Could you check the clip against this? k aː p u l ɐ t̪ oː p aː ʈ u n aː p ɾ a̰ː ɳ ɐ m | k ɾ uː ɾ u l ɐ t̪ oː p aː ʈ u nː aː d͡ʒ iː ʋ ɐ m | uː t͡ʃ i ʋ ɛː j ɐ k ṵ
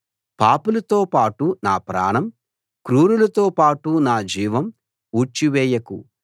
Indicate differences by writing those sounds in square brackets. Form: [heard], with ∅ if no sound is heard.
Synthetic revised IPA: [p] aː p u l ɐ t̪ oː p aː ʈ u n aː p ɾ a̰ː ɳ ɐ m | k ɾ uː ɾ u l ɐ t̪ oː p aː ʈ u [n] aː d͡ʒ iː ʋ ɐ m | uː t͡ʃ i ʋ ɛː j ɐ k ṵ